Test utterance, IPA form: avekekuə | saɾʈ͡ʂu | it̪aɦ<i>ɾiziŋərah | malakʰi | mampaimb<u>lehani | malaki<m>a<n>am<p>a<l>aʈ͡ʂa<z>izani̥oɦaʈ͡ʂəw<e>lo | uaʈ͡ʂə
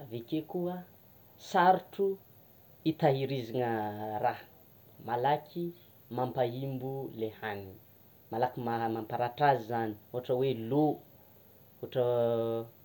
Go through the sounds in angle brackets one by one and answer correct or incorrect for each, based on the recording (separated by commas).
correct, correct, correct, incorrect, correct, incorrect, correct, correct